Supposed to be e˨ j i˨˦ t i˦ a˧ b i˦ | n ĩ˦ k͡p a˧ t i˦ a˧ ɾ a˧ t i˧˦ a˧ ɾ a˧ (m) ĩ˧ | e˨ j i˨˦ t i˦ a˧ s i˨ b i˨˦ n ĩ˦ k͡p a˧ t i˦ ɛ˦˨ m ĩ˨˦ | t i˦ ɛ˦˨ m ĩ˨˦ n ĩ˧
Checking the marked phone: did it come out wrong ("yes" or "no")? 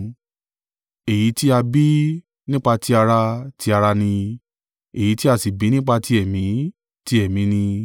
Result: yes